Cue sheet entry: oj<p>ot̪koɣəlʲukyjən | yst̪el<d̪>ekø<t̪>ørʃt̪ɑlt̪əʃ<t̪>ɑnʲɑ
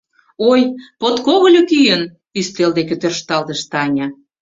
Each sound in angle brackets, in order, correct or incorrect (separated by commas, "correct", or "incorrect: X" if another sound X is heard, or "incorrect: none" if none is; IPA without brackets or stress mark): correct, correct, correct, correct